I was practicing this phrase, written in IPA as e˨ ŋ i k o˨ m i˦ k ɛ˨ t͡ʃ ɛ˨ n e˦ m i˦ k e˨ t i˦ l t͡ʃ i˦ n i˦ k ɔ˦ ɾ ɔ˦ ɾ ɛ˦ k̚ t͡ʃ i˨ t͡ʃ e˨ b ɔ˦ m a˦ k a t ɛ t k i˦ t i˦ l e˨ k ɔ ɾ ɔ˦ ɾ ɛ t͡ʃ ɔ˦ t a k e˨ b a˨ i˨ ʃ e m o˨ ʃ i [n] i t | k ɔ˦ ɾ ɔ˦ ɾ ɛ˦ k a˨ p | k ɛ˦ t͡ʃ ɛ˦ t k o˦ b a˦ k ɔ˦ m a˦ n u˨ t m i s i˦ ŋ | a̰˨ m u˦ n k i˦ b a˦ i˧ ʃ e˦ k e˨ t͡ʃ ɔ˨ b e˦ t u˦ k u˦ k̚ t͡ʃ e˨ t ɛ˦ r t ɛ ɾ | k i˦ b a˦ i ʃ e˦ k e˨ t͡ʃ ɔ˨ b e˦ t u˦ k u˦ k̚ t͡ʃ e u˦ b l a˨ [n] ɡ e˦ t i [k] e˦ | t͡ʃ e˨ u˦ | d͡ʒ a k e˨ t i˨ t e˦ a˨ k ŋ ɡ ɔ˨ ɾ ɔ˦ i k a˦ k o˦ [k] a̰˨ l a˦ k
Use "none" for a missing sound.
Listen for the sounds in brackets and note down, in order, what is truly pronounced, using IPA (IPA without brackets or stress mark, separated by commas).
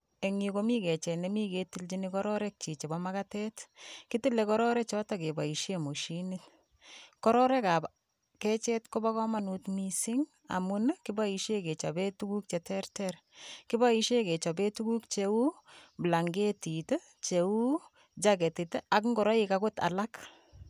n, ŋ, t, t